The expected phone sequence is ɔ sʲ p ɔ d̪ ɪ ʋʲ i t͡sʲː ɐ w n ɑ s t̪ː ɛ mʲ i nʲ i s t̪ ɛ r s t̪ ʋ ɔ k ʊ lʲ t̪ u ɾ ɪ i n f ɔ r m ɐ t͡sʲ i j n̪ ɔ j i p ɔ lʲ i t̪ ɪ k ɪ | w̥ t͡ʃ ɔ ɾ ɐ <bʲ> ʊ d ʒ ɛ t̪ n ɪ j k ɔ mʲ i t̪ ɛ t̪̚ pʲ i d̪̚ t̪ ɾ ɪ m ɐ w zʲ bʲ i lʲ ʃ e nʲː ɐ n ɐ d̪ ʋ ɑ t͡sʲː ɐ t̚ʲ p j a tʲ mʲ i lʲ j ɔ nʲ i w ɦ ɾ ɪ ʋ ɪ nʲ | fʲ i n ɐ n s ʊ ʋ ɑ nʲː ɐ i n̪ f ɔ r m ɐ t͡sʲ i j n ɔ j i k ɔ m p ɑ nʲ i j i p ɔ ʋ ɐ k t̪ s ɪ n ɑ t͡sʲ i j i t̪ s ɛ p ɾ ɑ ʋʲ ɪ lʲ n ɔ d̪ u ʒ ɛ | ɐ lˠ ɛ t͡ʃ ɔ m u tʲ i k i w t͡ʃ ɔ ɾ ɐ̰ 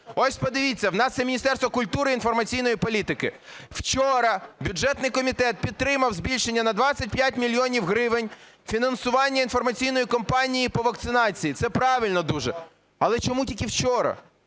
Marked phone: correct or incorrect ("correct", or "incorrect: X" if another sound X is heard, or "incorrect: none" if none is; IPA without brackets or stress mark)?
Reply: correct